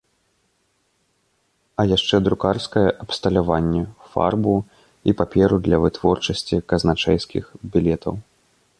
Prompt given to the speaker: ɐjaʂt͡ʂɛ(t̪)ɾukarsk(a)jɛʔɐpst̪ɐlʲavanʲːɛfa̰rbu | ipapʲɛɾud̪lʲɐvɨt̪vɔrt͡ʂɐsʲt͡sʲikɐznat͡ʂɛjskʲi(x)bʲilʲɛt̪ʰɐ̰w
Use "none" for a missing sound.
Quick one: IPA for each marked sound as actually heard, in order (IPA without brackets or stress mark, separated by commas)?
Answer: d̪, ɐ, x